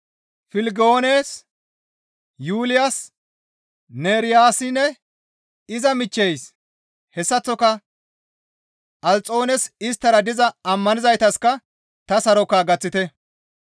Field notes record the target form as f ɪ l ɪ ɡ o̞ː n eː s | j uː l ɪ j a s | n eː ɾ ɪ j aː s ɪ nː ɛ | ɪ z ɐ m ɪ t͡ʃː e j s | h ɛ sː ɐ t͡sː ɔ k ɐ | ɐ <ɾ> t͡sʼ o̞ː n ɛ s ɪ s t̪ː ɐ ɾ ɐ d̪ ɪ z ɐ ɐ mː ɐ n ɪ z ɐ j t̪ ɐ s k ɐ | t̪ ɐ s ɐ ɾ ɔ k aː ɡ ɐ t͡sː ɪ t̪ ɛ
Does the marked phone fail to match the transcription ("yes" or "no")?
yes